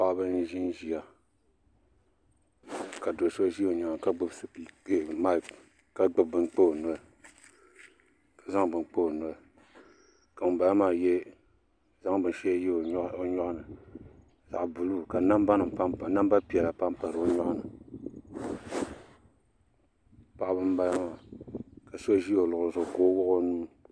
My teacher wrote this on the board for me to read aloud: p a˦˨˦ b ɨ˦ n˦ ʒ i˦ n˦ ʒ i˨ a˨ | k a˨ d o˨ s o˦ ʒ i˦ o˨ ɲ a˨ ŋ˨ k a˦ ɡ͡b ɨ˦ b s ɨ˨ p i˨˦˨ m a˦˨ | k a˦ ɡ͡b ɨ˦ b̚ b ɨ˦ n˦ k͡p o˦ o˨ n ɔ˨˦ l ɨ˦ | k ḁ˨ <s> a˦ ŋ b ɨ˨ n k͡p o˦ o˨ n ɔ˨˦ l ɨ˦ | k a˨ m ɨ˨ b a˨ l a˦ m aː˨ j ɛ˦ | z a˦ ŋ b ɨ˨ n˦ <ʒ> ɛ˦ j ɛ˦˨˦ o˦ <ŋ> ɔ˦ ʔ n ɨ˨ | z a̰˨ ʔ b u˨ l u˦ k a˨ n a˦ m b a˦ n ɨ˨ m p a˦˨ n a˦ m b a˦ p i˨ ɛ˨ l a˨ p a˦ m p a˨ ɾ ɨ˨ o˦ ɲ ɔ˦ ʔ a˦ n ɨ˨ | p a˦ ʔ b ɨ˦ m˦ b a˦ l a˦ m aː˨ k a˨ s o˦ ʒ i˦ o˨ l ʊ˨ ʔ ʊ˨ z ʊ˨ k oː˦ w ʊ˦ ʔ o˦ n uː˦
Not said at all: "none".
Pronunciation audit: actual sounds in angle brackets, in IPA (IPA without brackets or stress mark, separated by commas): z, ʃ, ɲ